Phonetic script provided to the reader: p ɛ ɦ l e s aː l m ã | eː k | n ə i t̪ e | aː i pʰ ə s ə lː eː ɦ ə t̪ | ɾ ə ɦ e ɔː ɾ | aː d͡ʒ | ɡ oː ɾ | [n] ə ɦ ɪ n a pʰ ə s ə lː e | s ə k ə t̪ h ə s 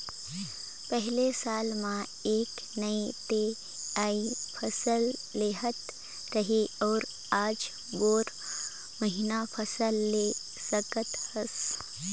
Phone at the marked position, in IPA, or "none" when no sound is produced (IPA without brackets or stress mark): m